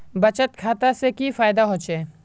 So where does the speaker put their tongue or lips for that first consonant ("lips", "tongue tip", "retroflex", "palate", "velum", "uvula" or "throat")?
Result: lips